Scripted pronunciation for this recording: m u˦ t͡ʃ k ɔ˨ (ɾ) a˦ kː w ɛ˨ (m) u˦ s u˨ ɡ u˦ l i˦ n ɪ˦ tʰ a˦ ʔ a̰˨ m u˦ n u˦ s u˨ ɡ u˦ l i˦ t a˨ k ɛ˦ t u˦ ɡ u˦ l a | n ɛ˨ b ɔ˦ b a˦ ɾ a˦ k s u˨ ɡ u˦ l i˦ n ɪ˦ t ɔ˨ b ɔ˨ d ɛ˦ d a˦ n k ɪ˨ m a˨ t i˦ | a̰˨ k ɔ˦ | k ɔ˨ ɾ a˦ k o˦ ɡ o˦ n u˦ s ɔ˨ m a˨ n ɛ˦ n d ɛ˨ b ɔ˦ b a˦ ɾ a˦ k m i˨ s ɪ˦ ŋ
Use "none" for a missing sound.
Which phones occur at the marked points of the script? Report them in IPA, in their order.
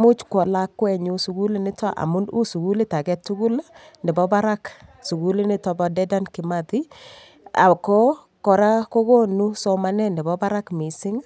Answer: l, ɲ

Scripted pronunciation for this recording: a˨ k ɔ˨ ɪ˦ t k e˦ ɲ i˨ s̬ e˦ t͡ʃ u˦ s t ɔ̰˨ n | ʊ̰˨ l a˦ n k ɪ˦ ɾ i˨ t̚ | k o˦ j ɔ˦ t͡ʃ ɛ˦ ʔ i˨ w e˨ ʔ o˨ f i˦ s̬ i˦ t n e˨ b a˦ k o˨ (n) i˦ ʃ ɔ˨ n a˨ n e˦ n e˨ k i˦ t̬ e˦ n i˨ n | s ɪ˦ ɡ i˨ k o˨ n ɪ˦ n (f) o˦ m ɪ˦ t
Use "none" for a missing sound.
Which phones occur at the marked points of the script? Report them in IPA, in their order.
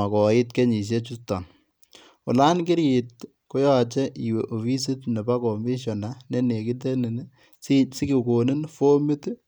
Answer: m, f

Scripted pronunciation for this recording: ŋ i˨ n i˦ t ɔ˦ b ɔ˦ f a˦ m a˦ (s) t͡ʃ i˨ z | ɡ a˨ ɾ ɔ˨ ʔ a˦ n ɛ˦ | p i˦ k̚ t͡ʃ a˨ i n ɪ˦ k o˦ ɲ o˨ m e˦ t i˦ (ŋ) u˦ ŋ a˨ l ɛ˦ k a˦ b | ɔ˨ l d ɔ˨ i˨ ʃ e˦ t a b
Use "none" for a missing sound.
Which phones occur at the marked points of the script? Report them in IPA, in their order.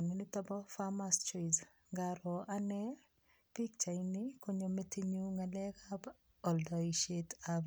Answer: s, ɲ

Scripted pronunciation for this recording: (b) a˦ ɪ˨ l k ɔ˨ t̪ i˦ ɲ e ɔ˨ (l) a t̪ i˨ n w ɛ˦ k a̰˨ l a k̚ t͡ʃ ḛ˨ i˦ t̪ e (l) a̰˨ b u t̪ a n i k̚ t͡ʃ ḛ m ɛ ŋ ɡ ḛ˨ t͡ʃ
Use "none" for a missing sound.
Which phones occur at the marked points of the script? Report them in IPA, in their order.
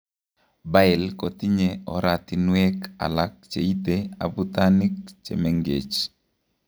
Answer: b, ɾ, none

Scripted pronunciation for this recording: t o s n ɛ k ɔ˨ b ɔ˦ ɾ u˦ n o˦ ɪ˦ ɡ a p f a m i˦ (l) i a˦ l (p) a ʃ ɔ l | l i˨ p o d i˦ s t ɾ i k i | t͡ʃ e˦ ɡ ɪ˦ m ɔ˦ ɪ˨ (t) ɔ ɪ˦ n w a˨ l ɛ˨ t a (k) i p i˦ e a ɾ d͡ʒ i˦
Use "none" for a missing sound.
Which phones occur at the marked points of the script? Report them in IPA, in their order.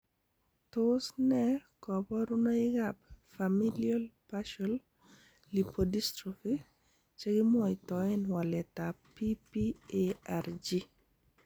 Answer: l, p, t, p

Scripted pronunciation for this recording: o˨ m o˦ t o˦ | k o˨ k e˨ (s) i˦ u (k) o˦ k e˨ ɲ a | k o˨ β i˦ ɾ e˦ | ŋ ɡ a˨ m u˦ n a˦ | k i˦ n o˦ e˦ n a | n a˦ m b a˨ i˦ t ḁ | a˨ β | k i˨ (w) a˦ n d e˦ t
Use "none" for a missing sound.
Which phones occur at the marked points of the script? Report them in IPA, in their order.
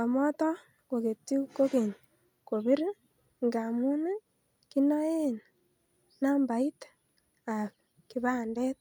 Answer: t, k, β

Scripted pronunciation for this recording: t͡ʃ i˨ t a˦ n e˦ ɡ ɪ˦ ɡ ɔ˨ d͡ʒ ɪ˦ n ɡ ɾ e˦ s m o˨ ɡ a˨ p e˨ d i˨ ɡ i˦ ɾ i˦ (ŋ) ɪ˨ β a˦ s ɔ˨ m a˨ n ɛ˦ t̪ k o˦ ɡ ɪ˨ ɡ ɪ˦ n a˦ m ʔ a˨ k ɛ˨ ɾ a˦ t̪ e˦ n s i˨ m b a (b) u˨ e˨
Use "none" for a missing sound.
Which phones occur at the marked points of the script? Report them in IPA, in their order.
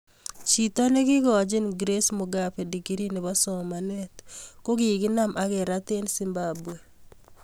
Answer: n, b

